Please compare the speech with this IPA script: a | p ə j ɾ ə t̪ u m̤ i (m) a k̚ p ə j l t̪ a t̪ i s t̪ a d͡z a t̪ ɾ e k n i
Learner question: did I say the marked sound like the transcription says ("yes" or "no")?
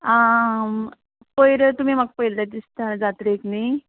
yes